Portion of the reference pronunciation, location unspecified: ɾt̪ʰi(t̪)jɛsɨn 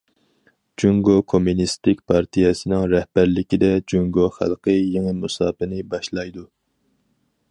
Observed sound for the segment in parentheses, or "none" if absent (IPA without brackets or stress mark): none